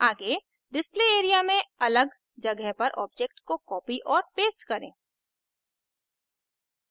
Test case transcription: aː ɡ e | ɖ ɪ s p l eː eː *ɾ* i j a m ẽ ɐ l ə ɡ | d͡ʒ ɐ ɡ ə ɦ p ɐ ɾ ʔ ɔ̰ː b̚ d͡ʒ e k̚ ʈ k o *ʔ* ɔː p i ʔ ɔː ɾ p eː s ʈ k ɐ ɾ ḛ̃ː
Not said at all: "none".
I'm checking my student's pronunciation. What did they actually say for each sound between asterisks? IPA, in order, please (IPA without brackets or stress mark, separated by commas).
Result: ɾ, k